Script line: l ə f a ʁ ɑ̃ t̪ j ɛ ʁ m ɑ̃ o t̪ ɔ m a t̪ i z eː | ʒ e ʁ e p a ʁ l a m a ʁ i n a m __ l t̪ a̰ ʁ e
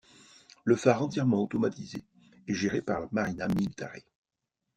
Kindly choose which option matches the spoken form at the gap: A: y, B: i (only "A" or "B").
B